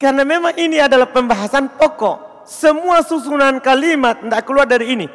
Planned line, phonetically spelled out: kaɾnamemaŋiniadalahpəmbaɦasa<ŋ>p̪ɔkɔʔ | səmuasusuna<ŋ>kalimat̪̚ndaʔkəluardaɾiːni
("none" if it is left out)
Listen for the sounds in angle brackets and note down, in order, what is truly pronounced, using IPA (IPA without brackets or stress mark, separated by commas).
n, n